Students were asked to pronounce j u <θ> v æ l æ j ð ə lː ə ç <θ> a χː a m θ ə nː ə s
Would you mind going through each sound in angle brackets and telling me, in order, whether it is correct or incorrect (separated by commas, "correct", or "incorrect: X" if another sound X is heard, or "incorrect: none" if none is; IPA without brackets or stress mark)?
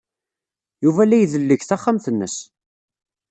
incorrect: none, correct